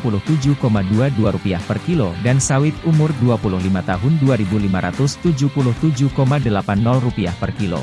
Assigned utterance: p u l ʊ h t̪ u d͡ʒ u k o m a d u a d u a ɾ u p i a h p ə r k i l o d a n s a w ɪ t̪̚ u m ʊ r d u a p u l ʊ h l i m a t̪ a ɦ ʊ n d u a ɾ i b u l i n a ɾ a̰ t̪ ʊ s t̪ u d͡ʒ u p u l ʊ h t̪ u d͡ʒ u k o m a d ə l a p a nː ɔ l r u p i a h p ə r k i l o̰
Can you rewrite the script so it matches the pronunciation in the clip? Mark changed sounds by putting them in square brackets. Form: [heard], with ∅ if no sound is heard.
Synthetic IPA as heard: p u l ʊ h t̪ u d͡ʒ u k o m a d u a d u a ɾ u p i a h p ə r k i l o d a n s a w ɪ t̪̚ u m ʊ r d u a p u l ʊ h l i m a t̪ a ɦ ʊ n d u a ɾ i b u l i [m] a ɾ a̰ t̪ ʊ s t̪ u d͡ʒ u p u l ʊ h t̪ u d͡ʒ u k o m a d ə l a p a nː ɔ l r u p i a h p ə r k i l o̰